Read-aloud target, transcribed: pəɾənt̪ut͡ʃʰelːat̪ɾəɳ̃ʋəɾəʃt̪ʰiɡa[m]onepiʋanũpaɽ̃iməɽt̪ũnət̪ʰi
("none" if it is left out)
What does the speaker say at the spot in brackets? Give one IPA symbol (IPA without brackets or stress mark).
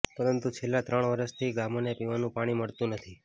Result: m